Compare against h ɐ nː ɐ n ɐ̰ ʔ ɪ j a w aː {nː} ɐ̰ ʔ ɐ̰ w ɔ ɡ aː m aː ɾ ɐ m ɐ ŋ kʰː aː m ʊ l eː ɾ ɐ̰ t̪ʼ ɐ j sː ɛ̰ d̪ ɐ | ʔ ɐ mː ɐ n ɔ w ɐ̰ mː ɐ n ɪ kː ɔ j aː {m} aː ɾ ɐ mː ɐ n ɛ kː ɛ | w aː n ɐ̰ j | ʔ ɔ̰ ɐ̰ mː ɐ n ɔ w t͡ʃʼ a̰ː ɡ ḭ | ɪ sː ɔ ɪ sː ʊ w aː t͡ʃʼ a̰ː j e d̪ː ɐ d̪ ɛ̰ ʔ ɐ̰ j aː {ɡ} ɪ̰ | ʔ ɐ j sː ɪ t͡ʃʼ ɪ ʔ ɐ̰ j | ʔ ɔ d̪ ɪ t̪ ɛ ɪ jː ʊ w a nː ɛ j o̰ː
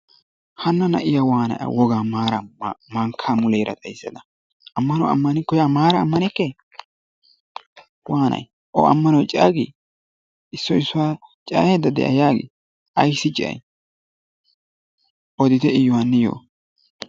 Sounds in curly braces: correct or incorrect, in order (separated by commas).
incorrect, correct, correct